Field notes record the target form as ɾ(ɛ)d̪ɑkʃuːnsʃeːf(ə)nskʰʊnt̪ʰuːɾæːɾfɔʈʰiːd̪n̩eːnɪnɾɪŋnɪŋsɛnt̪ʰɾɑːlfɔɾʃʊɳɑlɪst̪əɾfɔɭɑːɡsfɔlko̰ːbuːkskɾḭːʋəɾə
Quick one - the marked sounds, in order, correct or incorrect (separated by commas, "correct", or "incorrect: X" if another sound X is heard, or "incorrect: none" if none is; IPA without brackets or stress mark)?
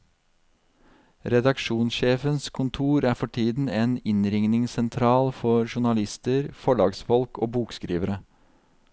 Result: correct, correct